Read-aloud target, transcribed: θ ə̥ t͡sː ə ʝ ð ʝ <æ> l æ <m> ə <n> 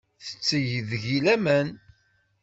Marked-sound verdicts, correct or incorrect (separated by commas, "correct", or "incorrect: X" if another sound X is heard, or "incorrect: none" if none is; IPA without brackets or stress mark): incorrect: i, correct, correct